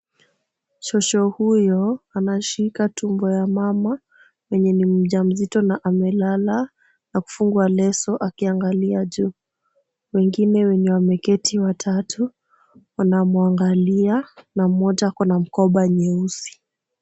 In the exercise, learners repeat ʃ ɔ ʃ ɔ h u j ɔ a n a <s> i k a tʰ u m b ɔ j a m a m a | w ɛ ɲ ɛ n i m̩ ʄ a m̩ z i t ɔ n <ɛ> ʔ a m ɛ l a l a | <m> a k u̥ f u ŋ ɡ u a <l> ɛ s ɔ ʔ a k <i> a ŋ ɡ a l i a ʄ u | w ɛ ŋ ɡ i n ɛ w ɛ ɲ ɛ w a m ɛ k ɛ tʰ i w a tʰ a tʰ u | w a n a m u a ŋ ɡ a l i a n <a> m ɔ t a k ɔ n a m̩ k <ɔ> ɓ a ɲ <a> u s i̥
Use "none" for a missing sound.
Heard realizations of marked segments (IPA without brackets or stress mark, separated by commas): ʃ, a, n, l, i, a, ɔ, ɛ